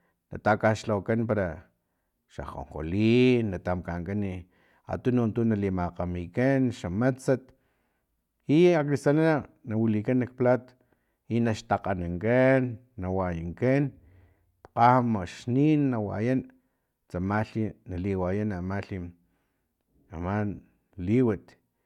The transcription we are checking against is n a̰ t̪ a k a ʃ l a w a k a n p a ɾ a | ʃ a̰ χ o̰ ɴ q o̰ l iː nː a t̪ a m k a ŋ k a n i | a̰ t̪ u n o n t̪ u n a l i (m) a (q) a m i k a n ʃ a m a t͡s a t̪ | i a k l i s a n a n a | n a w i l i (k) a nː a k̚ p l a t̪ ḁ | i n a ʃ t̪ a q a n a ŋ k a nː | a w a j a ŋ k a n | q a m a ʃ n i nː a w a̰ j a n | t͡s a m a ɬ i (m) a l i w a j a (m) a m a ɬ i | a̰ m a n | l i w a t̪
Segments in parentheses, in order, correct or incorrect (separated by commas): correct, correct, correct, incorrect, incorrect